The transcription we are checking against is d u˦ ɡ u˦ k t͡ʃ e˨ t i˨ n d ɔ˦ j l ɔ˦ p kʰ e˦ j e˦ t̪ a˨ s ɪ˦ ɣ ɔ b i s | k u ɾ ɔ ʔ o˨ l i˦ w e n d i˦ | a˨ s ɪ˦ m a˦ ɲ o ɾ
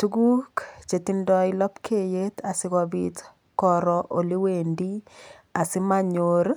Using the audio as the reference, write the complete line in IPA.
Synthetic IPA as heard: t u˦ ɡ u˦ k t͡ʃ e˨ t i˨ n d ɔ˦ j l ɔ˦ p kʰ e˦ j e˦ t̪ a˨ s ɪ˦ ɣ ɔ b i t | k ɔ ɾ ɔ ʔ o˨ l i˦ w e n d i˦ | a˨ s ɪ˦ m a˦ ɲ o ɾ